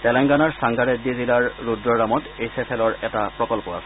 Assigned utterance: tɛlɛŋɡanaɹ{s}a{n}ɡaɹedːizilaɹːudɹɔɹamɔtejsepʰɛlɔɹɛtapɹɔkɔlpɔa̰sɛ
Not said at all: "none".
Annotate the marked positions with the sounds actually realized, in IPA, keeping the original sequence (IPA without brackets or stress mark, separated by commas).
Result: s, ŋ